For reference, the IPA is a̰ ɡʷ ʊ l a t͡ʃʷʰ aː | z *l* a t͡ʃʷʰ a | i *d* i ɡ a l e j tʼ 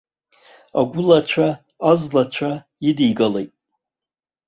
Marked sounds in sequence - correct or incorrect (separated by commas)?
correct, correct